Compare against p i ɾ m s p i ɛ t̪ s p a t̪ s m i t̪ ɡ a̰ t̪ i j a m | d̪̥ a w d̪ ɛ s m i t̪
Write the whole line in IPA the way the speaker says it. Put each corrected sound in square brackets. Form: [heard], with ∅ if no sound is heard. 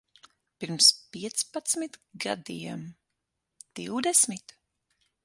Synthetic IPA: p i ɾ m s p i ɛ t̪ s p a t̪ s m i t̪ ɡ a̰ [d̪] i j [ɛ] m | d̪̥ [i] w d̪ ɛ s m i t̪